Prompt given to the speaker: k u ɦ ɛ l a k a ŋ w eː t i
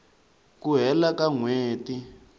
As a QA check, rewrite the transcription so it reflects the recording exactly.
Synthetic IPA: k u ɦ ɛ l a k a ŋ w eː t i